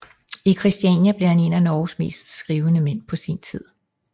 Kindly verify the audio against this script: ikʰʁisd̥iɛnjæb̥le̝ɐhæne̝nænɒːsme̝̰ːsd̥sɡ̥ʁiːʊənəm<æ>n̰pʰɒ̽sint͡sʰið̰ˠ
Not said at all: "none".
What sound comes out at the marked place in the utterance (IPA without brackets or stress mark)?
e